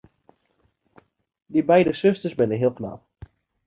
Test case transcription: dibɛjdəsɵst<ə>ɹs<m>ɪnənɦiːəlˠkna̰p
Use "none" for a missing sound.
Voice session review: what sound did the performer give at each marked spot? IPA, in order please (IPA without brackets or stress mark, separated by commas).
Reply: ə, b